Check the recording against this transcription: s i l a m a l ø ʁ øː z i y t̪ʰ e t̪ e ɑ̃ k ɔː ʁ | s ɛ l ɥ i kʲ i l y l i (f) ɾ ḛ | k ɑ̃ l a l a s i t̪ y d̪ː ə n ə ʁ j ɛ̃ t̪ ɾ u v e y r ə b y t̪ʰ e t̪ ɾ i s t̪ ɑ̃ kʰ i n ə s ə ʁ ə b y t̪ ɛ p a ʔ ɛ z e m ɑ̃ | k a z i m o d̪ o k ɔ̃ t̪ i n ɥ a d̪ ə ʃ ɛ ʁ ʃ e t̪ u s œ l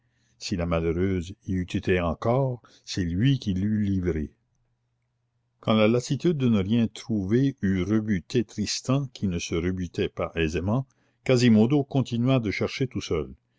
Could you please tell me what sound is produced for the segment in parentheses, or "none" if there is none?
v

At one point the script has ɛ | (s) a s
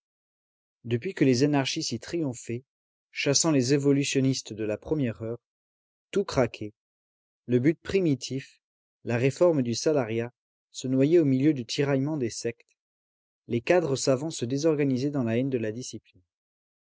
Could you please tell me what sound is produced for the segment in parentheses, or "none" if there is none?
ʃ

